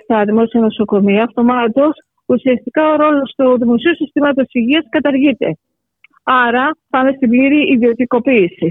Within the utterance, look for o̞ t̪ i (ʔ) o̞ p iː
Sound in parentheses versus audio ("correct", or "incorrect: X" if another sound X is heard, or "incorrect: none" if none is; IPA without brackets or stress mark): incorrect: k